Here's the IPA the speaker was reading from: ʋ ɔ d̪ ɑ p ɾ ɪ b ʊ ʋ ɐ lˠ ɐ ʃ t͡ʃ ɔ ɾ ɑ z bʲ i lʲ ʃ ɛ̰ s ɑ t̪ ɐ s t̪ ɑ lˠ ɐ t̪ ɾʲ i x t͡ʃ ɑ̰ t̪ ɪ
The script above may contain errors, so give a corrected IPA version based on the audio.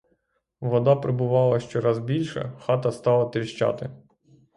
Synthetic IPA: ʋ ɔ d̪ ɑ p ɾ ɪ b ʊ ʋ ɑ lˠ ɐ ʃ t͡ʃ ɔ ɾ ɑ z bʲ i lʲ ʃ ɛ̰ x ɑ t̪ ɐ s t̪ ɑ lˠ ɐ t̪ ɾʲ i ʃ t͡ʃ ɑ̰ t̪ ɪ